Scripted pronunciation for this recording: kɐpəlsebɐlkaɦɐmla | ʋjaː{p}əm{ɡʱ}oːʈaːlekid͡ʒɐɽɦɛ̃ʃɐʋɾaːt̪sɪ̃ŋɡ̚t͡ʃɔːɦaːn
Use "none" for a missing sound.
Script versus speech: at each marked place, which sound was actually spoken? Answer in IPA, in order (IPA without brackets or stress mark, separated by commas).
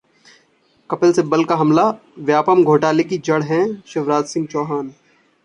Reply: p, ɡʱ